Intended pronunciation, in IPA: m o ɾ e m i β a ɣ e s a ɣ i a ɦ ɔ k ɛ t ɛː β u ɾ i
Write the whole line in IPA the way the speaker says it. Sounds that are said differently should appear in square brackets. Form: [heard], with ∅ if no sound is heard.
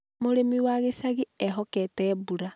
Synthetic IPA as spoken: m o ɾ e m i [w] a ɣ e s a ɣ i [ɛ] ɦ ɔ k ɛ t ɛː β u ɾ [a]

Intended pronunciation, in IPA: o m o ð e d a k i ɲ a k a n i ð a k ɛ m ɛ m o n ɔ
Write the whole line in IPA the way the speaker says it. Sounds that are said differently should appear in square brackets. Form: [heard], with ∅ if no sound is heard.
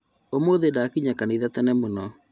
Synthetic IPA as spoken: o m o ð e d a k i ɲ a k a n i ð a [t] ɛ [n] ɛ m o n ɔ

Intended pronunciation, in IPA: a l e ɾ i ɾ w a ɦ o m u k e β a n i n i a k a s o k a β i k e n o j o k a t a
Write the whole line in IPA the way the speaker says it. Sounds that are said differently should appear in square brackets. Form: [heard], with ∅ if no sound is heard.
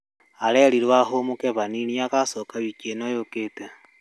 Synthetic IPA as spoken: a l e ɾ i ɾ w a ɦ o m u k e β a n i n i a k a s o k a β i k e n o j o k [e] t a

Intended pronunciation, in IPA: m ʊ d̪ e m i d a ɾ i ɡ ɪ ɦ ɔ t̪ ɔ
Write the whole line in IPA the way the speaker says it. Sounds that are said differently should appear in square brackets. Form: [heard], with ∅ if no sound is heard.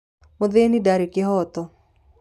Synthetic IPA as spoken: m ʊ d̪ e [n] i d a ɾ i [k] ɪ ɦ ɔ t̪ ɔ

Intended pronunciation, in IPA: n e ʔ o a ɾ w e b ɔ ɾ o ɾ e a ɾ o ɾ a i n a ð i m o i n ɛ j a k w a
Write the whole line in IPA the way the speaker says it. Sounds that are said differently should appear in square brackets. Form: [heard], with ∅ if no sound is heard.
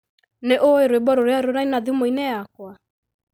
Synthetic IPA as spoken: n e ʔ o [e] ɾ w e b ɔ ɾ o ɾ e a ɾ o ɾ a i n a ð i m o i n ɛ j a k w a

